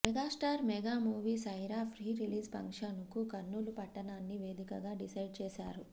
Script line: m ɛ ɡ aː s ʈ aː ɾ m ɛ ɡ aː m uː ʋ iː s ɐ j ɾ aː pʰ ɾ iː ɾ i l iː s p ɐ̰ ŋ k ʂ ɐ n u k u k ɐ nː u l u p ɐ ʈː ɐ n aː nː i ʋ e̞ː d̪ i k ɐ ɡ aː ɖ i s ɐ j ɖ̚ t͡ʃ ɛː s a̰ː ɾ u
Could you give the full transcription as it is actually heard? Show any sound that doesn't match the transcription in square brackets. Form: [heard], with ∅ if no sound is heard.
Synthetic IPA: m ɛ ɡ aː s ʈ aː ɾ m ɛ ɡ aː m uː ʋ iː s ɐ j ɾ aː pʰ ɾ iː ɾ i l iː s p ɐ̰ ŋ k ʂ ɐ n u k u k ɐ nː u l u p ɐ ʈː ɐ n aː nː i ʋ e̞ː d̪ i k ɐ ɡ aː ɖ i s ɐ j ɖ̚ t͡ʃ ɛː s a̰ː ɾ u

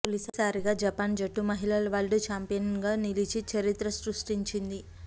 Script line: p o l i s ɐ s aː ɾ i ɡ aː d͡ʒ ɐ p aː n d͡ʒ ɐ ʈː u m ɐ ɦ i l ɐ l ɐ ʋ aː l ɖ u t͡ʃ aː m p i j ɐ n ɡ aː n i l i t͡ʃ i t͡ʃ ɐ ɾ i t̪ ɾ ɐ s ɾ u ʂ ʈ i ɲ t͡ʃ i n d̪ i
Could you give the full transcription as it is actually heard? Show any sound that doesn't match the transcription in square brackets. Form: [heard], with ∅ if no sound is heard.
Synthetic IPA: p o l i s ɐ s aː ɾ i ɡ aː d͡ʒ ɐ p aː n d͡ʒ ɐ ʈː u m ɐ ɦ i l ɐ l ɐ ʋ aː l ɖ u t͡ʃ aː m p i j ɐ n ɡ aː n i l i t͡ʃ i t͡ʃ ɐ ɾ i t̪ ɾ ɐ s ɾ u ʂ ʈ i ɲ t͡ʃ i n d̪ i

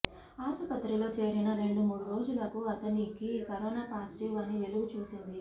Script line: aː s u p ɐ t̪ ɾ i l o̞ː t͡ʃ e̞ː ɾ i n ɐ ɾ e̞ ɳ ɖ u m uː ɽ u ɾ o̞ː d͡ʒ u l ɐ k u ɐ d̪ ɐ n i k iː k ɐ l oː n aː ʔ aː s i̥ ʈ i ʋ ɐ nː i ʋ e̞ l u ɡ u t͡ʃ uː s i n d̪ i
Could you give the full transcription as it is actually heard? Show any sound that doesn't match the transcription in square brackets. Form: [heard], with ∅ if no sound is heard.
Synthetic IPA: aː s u p ɐ t̪ ɾ i l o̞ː t͡ʃ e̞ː ɾ i n ɐ ɾ e̞ ɳ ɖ u m uː ɽ u ɾ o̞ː d͡ʒ u l ɐ k u ɐ [t̪] ɐ n i k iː k ɐ [ɾ] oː n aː [p] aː s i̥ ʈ i ʋ ɐ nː i ʋ e̞ l u ɡ u t͡ʃ uː s i n d̪ i

